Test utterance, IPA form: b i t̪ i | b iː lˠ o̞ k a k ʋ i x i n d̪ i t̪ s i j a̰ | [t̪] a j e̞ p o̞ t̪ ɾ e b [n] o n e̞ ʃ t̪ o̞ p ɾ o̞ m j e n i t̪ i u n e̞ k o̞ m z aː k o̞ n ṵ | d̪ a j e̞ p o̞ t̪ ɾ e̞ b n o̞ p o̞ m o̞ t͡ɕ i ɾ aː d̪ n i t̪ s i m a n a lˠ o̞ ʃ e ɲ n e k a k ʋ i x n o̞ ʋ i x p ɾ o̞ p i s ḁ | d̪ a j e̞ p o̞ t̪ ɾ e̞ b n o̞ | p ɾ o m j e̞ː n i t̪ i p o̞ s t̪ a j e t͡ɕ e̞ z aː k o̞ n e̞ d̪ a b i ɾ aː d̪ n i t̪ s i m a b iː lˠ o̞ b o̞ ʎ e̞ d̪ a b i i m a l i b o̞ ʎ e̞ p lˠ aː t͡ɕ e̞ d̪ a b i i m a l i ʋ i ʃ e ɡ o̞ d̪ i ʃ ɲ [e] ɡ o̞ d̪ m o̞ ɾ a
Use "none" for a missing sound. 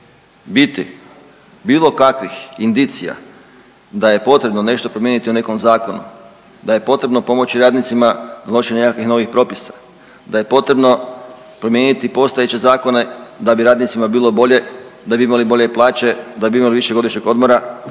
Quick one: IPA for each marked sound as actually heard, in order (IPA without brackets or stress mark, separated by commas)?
d̪, n, e